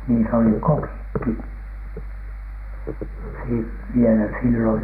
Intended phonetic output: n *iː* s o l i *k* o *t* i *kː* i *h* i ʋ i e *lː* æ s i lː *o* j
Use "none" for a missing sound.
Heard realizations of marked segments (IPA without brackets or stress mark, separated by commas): iː, k, k, kː, s, l, o